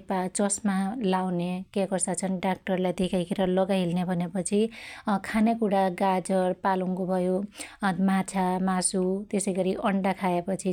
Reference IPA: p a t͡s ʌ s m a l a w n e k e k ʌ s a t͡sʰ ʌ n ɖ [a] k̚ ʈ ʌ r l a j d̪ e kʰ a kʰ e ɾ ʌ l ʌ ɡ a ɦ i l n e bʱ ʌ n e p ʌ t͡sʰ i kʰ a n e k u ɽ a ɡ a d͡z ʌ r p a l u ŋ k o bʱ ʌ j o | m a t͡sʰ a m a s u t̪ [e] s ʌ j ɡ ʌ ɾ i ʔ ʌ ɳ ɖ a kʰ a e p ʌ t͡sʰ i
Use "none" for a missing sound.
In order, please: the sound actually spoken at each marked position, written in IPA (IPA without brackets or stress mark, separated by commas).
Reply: a, e